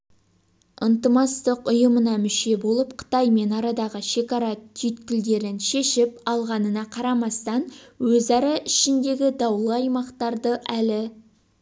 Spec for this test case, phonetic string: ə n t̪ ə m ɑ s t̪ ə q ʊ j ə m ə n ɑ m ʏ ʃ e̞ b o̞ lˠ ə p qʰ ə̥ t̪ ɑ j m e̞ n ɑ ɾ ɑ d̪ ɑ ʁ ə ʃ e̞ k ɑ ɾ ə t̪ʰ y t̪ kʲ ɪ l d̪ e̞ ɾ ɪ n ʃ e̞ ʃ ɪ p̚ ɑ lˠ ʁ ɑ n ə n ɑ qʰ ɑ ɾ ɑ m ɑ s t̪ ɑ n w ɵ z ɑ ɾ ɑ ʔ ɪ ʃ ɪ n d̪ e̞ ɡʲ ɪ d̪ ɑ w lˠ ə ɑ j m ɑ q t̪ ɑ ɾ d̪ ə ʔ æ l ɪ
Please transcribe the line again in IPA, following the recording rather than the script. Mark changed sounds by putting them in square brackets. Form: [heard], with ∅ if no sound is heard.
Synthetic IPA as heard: ə n t̪ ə m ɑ s t̪ ə q ʊ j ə m ə n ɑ m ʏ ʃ e̞ b o̞ lˠ ə p qʰ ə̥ t̪ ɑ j m e̞ n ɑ ɾ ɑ d̪ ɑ ʁ ə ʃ e̞ k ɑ ɾ [ɑ] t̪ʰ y t̪ kʲ ɪ l d̪ e̞ ɾ ɪ n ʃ e̞ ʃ ɪ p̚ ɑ lˠ ʁ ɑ n ə n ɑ qʰ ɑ ɾ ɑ m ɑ s t̪ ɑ n w ɵ z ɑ ɾ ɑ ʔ ɪ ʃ ɪ n d̪ e̞ ɡʲ ɪ d̪ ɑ w lˠ ə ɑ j m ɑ q t̪ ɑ ɾ d̪ ə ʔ æ l ɪ